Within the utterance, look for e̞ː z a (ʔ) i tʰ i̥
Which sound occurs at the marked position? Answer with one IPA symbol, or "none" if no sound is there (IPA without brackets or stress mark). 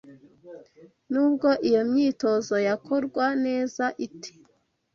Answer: ʔ